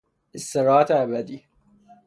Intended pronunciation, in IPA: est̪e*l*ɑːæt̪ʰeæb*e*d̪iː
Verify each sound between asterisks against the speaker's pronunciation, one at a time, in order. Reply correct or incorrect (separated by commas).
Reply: incorrect, incorrect